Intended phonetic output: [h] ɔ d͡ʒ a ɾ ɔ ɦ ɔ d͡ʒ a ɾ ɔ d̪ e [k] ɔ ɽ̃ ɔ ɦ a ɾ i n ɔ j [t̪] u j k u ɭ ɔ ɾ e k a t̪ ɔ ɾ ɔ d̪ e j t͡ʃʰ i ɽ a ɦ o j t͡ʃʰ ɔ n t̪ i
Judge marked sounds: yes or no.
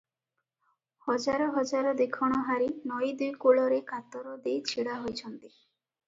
yes, no, no

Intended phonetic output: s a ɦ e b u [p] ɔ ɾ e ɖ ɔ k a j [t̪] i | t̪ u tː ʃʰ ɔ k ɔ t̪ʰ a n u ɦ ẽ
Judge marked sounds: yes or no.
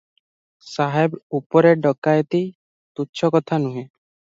yes, yes

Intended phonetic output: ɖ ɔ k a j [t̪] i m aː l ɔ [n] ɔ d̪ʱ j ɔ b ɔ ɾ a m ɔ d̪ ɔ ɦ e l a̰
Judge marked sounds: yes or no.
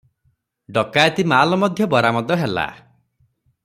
yes, no

